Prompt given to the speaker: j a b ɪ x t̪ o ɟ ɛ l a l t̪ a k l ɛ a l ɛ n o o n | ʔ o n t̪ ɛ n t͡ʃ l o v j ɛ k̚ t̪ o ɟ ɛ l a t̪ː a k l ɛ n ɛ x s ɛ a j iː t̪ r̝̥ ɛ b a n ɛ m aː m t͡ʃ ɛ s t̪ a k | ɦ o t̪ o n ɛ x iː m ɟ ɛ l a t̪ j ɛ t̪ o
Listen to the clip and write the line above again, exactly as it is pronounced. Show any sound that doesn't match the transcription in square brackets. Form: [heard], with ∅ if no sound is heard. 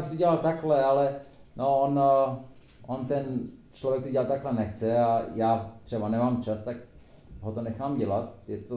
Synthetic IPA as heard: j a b ɪ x t̪ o ɟ ɛ l a l t̪ a k l ɛ a l ɛ n o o n | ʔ o n t̪ ɛ n t͡ʃ l o v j ɛ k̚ t̪ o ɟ ɛ l a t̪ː a k l ɛ n ɛ x [t͡s] ɛ a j [aː] t̪ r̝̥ ɛ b a n ɛ m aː m t͡ʃ [a] s t̪ a k | ɦ o t̪ o n ɛ x [aː] m ɟ ɛ l a t̪ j ɛ t̪ o